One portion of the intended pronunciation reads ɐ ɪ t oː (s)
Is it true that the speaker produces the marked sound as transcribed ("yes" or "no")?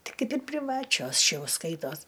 yes